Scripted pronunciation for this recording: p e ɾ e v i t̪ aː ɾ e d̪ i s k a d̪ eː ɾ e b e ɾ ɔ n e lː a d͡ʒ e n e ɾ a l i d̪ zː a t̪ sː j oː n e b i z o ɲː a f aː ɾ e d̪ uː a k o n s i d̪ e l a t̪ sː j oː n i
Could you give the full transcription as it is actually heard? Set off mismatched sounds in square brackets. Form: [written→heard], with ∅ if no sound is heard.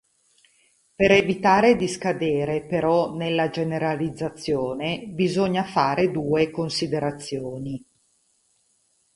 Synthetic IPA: p e ɾ e v i t̪ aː ɾ e d̪ i s k a d̪ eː ɾ e [b→p] e ɾ ɔ n e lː a d͡ʒ e n e ɾ a l i d̪ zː a t̪ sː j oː n e b i z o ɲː a f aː ɾ e d̪ uː [a→e] k o n s i d̪ e [l→ɾ] a t̪ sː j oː n i

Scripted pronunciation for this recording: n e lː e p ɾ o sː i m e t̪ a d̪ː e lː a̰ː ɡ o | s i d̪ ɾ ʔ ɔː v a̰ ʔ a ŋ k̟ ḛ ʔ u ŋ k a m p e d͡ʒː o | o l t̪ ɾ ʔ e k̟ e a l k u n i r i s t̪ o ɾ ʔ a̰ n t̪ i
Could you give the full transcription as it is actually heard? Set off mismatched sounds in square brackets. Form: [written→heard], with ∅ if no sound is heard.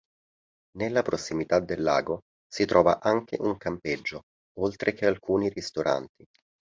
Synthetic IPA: n e lː [e→a] p ɾ o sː i m [e→i] t̪ a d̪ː e lː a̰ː ɡ o | s i [d̪→t̪] ɾ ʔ ɔː v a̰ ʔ a ŋ k̟ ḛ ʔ u ŋ k a m p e d͡ʒː o | o l t̪ ɾ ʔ e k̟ e a l k [u→uː] n i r i s t̪ o ɾ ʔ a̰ n t̪ i

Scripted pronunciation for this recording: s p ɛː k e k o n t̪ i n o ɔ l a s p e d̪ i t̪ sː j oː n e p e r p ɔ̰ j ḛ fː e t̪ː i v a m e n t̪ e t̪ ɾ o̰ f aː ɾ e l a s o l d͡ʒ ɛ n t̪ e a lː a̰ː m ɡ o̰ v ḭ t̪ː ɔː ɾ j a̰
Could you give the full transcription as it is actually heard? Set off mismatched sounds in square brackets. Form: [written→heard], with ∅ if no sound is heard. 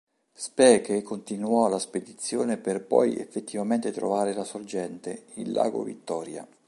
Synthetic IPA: s p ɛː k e k o n t̪ i n [o→u] ɔ l a s p e d̪ i t̪ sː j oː n e p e r p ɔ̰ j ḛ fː e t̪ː i v a m e n t̪ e t̪ ɾ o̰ [f→v] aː ɾ e l a s o [l→r] d͡ʒ ɛ n t̪ e [a→i] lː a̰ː [m→∅] ɡ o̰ v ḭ t̪ː ɔː ɾ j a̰

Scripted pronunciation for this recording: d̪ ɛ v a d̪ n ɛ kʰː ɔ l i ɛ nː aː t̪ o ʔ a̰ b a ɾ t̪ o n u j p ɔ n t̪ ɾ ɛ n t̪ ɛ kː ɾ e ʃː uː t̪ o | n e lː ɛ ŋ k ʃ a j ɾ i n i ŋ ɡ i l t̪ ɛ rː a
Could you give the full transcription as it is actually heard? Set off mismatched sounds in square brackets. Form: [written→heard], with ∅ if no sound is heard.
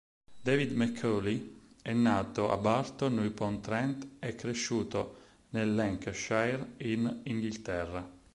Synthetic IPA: d̪ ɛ v [a→i] d̪ [n→m] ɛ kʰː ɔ l i ɛ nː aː t̪ o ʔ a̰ b a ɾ t̪ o n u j p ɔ n t̪ ɾ ɛ n t̪ ɛ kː ɾ e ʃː uː t̪ o | n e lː ɛ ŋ k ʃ a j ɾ i n i ŋ ɡ i l t̪ ɛ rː a

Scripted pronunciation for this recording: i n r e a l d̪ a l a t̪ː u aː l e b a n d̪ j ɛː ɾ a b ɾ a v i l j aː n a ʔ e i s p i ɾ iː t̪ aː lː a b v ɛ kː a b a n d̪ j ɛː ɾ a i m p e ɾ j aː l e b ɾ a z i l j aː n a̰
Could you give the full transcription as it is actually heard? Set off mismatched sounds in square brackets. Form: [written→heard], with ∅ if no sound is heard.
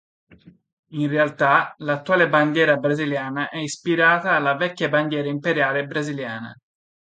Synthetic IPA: i n r e a l [d̪→t̪] a l a t̪ː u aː l e b a n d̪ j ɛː ɾ a b ɾ a [v→z] i l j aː n a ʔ [e→ɛ] i s p i ɾ [iː→aː] t̪ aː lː a [b→∅] v ɛ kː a b a n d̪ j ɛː ɾ a i m p e ɾ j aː l e b ɾ a z i l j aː n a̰

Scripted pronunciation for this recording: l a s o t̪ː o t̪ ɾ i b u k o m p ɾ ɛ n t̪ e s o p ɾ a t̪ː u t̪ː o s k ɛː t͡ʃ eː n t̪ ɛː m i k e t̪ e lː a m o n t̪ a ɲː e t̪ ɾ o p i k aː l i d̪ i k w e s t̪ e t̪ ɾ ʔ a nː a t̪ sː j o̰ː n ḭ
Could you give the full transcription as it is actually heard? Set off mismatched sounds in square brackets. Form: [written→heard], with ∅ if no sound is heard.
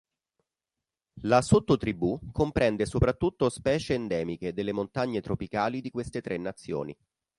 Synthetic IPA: l a s o t̪ː o t̪ ɾ i b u k o m p ɾ ɛ n [t̪→d̪] e s o p ɾ a t̪ː u t̪ː o s [k→p] ɛː t͡ʃ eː n [t̪→d̪] ɛː m i k e [t̪→d̪] e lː [a→e] m o n t̪ a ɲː e t̪ ɾ o p i k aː l i d̪ i k w e s t̪ e t̪ ɾ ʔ [a→e] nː a t̪ sː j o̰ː n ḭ

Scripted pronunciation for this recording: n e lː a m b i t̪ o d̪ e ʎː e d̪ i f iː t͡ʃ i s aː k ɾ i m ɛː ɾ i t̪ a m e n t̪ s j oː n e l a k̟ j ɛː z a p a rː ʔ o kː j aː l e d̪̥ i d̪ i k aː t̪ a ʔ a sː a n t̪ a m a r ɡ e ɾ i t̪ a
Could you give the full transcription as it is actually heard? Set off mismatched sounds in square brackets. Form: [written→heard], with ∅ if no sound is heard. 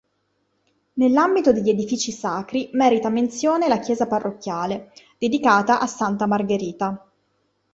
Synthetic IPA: n e lː a m b i t̪ o d̪ e ʎː e d̪ i f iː t͡ʃ i s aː k ɾ i m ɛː ɾ i t̪ a m e n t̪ s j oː n e l a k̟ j ɛː z a p a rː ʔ o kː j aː l e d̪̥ [i→e] d̪ i k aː t̪ a ʔ a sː a n t̪ a m a r ɡ e ɾ [i→iː] t̪ a

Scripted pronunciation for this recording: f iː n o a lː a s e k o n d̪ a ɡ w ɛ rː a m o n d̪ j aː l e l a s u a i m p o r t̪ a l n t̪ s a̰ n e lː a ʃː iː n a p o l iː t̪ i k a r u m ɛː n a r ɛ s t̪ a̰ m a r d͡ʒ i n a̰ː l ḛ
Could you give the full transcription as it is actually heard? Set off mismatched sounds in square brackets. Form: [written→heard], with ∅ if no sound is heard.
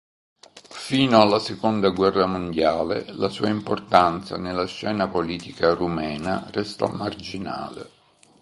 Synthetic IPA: f iː n o a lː a s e k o n d̪ a ɡ w ɛ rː a m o n d̪ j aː l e l a s [u→uː] a i m p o r t̪ a [l→∅] n t̪ s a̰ n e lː a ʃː [iː→ɛː] n a p o l iː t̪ i k a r u m ɛː n a r ɛ s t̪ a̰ m a r d͡ʒ i n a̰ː l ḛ

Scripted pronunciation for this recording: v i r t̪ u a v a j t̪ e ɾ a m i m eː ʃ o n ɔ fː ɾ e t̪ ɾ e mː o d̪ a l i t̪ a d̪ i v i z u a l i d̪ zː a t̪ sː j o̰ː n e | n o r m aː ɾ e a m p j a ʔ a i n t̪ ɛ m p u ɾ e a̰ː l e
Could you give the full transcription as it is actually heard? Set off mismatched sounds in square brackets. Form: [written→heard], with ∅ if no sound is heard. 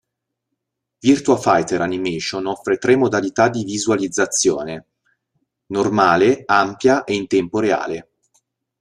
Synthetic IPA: v i r t̪ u a [v→f] a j t̪ e ɾ a [m→n] i m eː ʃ o n ɔ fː ɾ e t̪ ɾ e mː o d̪ a l i t̪ a d̪ i v i z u a l i d̪ zː a t̪ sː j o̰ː n e | n o r m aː [ɾ→l] e a m p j a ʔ [a→e] i n t̪ ɛ m p [u→o] ɾ e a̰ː l e

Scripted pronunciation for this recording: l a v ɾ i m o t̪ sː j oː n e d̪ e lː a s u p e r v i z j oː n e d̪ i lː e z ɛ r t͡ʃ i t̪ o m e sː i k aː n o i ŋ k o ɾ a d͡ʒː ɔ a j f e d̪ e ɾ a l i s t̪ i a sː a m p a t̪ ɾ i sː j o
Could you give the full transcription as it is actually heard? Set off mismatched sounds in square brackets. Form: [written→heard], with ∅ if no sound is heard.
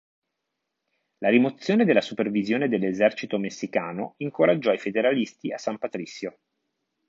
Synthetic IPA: l a [v→∅] ɾ i m o t̪ sː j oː n e d̪ e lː a s u p e r v i z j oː n e d̪ [i→e] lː e z ɛ r t͡ʃ i t̪ o m e sː i k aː n o i ŋ k o ɾ a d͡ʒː ɔ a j f e d̪ e ɾ a l i s t̪ i a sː a m p a t̪ ɾ i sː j o

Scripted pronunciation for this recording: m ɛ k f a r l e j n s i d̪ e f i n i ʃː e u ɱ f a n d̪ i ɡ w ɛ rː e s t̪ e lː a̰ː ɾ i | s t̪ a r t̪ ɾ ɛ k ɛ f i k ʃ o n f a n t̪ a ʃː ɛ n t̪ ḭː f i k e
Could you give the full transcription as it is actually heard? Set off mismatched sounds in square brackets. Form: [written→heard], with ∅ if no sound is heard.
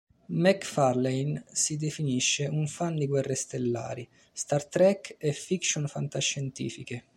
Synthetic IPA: m ɛ k f a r l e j n s i d̪ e f i n i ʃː e u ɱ f a n d̪ i ɡ w ɛ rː e s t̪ e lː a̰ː ɾ i | s t̪ a r t̪ ɾ ɛ k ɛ f i k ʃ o n f a n t̪ a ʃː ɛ n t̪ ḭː f i k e

